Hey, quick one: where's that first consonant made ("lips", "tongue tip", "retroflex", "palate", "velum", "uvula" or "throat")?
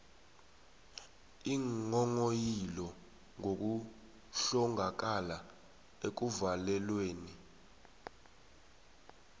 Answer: velum